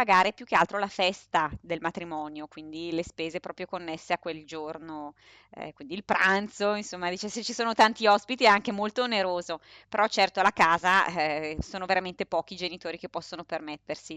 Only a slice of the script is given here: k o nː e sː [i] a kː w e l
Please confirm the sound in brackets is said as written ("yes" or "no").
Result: no